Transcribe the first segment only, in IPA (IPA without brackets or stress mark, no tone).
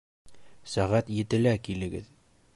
s